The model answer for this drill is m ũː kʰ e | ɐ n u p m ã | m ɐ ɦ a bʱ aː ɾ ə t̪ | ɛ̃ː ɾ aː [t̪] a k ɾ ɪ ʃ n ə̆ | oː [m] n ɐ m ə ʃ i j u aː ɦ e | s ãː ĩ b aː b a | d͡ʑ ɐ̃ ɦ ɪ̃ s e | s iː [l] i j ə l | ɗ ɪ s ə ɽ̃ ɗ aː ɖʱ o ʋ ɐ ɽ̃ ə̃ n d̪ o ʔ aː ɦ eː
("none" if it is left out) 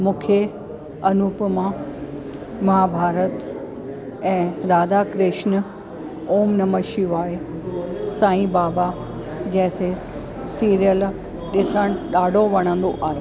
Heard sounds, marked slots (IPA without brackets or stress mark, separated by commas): d̪, m, ɾ